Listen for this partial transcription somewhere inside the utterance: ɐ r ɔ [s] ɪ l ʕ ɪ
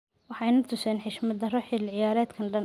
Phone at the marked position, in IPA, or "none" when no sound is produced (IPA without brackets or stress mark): ħ